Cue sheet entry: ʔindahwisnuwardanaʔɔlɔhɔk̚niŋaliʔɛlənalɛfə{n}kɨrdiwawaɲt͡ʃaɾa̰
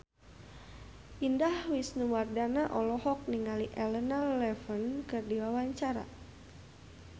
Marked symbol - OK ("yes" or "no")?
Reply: yes